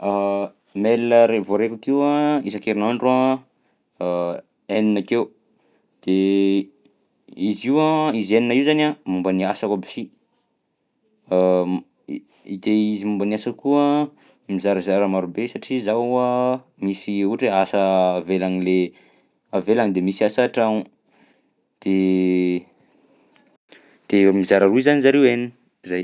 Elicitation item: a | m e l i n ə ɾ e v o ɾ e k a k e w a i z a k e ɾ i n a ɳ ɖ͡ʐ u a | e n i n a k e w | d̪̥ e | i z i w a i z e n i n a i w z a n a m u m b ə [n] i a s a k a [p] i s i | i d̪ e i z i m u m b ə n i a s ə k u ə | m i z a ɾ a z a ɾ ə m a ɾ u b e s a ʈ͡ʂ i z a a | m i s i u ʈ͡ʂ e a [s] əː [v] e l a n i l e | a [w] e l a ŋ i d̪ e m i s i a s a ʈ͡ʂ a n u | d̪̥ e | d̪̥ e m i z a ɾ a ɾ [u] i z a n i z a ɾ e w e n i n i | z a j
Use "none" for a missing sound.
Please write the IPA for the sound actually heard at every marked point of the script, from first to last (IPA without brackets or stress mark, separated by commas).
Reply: n, b, s, v, v, u